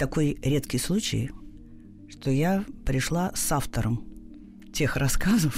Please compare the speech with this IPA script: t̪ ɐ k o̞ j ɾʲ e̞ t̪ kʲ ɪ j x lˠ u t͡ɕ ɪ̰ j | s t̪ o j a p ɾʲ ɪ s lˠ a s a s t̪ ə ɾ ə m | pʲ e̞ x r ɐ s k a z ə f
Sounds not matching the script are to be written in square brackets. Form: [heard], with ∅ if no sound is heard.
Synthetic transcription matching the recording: t̪ ɐ k o̞ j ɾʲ e̞ t̪ kʲ ɪ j [s] lˠ u t͡ɕ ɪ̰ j | [ʂ] t̪ o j a p ɾʲ ɪ [ʂ] lˠ a s a [f] t̪ ə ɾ ə m | [tʲ] e̞ x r ɐ s k a z ə f